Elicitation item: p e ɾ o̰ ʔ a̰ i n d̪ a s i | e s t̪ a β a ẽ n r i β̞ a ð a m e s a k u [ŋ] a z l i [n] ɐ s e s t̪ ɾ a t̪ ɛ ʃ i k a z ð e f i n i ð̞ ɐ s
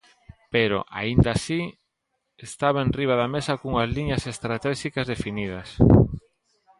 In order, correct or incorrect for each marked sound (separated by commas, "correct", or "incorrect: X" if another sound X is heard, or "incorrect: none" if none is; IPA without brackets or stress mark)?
correct, incorrect: ɲ